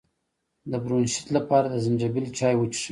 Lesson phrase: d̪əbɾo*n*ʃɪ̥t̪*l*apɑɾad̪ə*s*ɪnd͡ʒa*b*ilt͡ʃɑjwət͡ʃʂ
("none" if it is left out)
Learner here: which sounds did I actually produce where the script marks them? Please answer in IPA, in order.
n, l, z, b

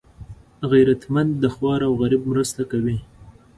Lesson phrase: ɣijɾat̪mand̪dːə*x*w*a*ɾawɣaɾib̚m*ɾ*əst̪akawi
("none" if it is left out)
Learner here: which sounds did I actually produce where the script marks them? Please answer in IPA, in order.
x, ɑ, ɾ

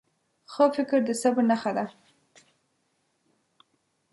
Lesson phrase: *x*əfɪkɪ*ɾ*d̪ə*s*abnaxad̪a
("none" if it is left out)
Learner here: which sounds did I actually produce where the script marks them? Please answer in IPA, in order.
x, ɾ, s

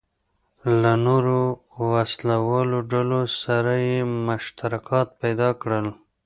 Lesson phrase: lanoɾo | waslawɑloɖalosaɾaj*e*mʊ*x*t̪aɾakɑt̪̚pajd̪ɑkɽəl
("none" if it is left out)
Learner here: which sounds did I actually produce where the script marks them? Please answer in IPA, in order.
e, ʃ

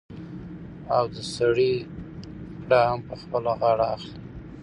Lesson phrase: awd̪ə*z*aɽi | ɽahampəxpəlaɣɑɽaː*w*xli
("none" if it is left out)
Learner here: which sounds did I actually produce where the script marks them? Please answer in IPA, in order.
s, none

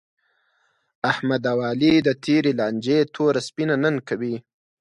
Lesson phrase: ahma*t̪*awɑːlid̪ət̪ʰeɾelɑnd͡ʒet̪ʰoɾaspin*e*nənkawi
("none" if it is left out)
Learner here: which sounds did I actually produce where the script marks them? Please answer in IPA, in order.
d̪, a

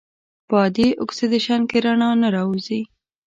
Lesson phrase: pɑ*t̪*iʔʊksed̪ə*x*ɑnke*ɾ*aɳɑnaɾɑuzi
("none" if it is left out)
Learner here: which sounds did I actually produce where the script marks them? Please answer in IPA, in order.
d̪, ʃ, ɾ

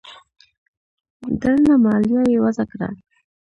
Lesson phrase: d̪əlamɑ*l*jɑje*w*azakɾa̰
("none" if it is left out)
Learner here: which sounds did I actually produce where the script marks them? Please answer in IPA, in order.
l, w

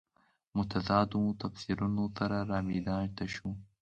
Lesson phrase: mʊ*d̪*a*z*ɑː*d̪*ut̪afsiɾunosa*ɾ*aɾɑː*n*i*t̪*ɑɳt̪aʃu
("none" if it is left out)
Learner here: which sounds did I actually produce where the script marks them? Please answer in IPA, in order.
t̪, z, d̪, ɾ, m, d̪

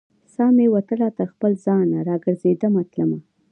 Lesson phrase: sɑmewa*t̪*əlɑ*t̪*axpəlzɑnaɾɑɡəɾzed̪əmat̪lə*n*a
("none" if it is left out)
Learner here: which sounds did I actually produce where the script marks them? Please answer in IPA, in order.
t̪, t̪, m

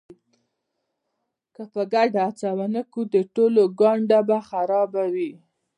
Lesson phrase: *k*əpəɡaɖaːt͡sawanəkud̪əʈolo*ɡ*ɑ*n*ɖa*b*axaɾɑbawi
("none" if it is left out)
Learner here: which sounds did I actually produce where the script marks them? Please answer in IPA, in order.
k, ɡ, ɳ, b

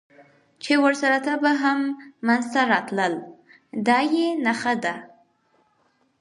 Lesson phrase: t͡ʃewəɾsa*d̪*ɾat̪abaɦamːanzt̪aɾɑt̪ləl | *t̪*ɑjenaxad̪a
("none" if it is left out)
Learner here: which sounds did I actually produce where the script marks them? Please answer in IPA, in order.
none, d̪

